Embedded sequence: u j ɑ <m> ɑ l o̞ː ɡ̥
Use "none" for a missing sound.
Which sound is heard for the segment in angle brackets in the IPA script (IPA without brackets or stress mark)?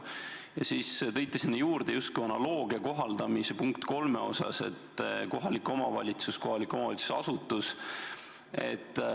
n